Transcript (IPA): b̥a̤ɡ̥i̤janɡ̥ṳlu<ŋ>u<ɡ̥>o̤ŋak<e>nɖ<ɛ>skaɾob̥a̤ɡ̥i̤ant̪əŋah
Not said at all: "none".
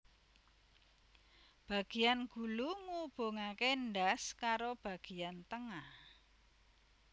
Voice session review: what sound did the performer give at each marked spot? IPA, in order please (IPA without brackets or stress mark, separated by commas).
ŋ, b̥, e, a